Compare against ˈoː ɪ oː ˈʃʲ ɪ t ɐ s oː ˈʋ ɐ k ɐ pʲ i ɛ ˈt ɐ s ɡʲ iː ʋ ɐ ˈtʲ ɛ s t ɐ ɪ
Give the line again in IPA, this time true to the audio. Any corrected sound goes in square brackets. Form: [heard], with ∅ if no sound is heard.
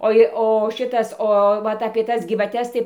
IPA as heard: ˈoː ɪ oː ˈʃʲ ɪ t ɐ s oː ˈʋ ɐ [t] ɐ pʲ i ɛ ˈt ɐ s ɡʲ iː ʋ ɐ ˈtʲ ɛ s t ɐ ɪ

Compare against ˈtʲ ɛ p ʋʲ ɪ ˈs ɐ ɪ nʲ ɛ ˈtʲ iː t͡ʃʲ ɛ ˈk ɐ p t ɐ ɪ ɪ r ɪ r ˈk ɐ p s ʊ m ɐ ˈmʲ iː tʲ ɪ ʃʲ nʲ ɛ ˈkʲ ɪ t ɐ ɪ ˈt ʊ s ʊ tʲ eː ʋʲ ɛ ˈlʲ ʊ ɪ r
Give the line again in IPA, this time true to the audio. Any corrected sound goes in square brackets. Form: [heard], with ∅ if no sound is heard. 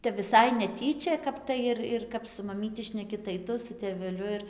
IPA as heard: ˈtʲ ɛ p ʋʲ ɪ ˈs ɐ ɪ nʲ ɛ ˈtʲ iː t͡ʃʲ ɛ ˈk ɐ p t ɐ ɪ ɪ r ɪ r ˈk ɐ p s ʊ m ɐ ˈmʲ iː tʲ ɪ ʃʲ nʲ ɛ ˈkʲ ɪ t ɐ ɪ ˈt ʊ s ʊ tʲ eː ʋʲ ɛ ˈlʲ ʊ ɪ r

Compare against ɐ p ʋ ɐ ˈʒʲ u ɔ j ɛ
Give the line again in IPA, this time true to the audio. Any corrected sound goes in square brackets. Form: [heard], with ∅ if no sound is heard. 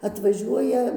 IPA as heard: ɐ [t] ʋ ɐ ˈʒʲ u ɔ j ɛ

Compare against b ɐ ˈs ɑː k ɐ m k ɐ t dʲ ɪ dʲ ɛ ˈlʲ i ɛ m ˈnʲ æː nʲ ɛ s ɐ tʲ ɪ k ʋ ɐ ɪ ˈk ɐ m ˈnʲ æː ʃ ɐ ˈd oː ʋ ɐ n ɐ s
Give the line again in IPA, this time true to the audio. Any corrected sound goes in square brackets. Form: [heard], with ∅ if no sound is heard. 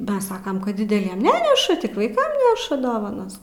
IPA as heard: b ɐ ˈs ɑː k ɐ m k ɐ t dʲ ɪ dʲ ɛ ˈlʲ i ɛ m ˈnʲ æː nʲ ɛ [ʃ] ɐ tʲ ɪ k ʋ ɐ ɪ ˈk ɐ m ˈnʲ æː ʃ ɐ ˈd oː ʋ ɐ n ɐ s

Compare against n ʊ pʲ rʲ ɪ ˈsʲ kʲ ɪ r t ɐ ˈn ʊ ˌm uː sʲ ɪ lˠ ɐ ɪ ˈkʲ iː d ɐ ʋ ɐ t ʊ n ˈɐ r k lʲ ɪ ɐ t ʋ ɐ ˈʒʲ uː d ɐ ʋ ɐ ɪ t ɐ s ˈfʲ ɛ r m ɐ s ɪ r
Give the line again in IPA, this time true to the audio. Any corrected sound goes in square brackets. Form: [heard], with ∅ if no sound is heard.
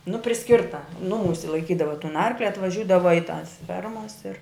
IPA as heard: n ʊ pʲ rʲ ɪ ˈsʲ kʲ ɪ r t ɐ ˈn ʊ ˌm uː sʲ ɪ lˠ ɐ ɪ ˈkʲ iː d ɐ ʋ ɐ t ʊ n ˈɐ r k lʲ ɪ ɐ t ʋ ɐ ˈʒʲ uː d ɐ ʋ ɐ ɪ t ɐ s ˈfʲ ɛ r m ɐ s ɪ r

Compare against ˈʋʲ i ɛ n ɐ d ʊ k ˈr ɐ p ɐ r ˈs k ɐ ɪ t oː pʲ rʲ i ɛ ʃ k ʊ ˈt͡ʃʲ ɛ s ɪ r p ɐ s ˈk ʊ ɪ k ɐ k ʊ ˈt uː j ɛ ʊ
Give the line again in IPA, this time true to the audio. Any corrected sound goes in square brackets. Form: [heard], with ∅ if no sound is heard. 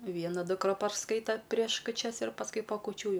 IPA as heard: ˈʋʲ i ɛ n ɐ d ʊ k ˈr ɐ p ɐ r ˈs k ɐ ɪ t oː pʲ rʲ i ɛ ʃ k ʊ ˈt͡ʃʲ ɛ s ɪ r p ɐ s ˈk ʊ ɪ [p] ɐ k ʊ [ˈt͡ʃʲ] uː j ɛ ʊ

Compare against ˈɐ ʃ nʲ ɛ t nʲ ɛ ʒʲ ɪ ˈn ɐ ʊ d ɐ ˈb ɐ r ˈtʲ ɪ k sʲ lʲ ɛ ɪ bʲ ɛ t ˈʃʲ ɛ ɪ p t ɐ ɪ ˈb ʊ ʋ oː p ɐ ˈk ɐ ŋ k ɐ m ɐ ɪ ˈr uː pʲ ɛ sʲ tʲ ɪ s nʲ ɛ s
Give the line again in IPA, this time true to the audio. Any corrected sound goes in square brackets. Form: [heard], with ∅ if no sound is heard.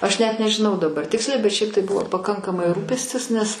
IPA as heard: ˈɐ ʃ nʲ ɛ t nʲ ɛ ʒʲ ɪ ˈn ɐ ʊ d ɐ ˈb ɐ r ˈtʲ ɪ k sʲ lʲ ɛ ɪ bʲ ɛ t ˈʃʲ ɛ ɪ p t ɐ ɪ ˈb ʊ ʋ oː p ɐ ˈk ɐ ŋ k ɐ m ɐ ɪ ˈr uː pʲ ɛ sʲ tʲ ɪ s nʲ ɛ s

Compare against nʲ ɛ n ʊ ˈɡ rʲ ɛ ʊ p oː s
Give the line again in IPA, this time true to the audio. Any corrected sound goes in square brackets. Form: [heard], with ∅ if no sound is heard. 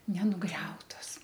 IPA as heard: nʲ ɛ n ʊ ˈɡ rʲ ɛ ʊ [t] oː s

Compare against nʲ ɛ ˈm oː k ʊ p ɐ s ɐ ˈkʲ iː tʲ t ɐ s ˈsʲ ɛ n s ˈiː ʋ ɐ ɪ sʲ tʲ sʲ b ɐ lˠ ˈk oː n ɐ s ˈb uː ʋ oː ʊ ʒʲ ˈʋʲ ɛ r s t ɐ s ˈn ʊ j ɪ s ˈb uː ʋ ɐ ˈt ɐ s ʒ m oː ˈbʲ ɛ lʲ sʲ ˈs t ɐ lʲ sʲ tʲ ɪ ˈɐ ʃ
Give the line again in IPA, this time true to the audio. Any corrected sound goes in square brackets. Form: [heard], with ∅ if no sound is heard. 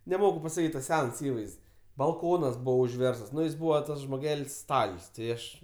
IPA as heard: nʲ ɛ ˈm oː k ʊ p ɐ s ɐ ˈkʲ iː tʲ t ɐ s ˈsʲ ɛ n s ˈiː ʋ ɐ ɪ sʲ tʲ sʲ b ɐ lˠ ˈk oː n ɐ s ˈb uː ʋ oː ʊ ʒʲ ˈʋʲ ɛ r s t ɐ s ˈn ʊ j ɪ s ˈb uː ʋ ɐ ˈt ɐ s ʒ m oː [ˈɡʲ] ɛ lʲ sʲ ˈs t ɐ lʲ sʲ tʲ ɪ ˈɐ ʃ

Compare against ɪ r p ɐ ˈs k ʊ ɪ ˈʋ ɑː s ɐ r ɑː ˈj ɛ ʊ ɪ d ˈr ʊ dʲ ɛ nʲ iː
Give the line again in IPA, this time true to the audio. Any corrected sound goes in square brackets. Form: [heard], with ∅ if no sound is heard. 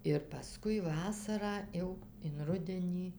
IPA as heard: ɪ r p ɐ ˈs k ʊ ɪ ˈʋ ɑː s ɐ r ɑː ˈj ɛ ʊ ɪ [n] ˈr ʊ dʲ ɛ nʲ iː

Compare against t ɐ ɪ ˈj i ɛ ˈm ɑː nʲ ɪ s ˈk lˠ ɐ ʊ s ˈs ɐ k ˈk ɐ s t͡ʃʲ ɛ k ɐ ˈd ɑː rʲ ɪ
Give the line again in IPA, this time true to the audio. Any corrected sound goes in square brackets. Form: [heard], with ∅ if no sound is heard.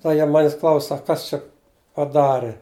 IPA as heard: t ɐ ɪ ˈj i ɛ ˈm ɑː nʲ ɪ s ˈk lˠ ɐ ʊ s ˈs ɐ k ˈk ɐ s t͡ʃʲ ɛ [p] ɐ ˈd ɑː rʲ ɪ

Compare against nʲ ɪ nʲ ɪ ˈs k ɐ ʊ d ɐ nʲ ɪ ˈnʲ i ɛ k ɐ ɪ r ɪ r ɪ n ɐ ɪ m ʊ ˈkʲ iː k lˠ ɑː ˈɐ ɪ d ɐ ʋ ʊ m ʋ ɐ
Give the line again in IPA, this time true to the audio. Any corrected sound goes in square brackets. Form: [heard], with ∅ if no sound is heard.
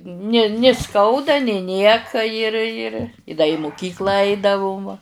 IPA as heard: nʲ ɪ nʲ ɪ ˈs k ɐ ʊ d ɐ nʲ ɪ ˈnʲ i ɛ k ɐ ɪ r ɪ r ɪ [d] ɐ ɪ m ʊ ˈkʲ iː k lˠ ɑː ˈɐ ɪ d ɐ ʋ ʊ m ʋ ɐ

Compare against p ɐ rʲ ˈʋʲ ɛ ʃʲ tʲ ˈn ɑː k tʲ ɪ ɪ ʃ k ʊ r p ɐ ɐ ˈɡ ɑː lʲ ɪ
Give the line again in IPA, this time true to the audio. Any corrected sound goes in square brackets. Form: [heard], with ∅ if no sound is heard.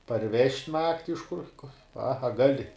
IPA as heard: p ɐ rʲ ˈʋʲ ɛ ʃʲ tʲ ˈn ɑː k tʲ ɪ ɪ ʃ k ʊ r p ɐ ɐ ˈɡ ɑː lʲ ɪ

